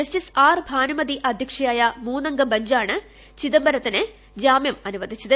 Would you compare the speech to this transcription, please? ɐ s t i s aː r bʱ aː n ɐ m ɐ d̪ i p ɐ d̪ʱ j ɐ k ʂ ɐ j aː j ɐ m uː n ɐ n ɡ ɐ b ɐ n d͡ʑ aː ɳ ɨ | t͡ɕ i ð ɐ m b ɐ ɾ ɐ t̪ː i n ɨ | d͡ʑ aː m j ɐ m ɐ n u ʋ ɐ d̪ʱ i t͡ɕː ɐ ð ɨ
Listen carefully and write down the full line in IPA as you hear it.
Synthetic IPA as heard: ɐ s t i s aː r bʱ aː n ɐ m ɐ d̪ i ʔ ɐ d̪ʱ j ɐ k ʂ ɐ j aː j ɐ m uː n ɐ ŋ ɡ ɐ b ɐ ɲ d͡ʑ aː ɳ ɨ | t͡ɕ i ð ɐ m b ɐ ɾ ɐ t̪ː i n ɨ | d͡ʑ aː m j ɐ m ɐ n u ʋ ɐ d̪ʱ i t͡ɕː ɐ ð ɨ